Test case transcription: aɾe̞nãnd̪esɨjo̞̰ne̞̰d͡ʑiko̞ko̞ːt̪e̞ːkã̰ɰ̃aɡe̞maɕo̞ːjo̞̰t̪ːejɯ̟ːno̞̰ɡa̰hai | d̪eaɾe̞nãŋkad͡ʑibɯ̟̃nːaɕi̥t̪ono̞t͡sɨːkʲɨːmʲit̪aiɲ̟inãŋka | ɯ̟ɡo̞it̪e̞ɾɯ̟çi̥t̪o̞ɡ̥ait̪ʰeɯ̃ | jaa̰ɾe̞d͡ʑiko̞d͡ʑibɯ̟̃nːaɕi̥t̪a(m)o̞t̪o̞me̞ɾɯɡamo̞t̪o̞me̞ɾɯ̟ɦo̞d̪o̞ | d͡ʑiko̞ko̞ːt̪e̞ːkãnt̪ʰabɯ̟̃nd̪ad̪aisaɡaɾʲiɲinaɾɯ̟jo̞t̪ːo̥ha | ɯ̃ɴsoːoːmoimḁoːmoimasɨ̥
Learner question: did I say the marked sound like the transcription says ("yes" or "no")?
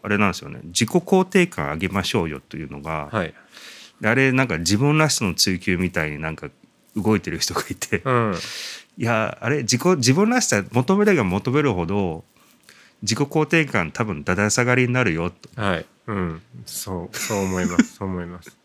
yes